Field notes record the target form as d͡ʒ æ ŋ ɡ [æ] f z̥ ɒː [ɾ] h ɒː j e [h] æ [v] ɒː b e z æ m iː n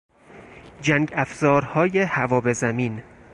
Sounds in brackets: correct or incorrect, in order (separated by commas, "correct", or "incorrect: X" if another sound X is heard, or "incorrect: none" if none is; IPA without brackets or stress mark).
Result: correct, correct, correct, correct